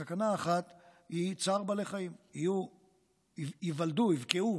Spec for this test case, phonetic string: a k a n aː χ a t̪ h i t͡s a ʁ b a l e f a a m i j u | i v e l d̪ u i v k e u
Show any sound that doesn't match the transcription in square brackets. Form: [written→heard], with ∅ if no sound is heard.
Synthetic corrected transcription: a k a n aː χ a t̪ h i t͡s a ʁ b a l e [f→χ] a [a→i] m i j u | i v [e→a] l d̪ u i v k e u